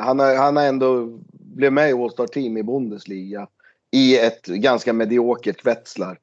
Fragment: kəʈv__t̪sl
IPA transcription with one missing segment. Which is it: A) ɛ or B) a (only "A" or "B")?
A